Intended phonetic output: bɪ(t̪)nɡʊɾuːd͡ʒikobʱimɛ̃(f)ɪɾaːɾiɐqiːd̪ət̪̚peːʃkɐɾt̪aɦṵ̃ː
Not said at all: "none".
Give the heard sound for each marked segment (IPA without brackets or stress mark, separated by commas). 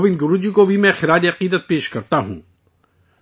none, x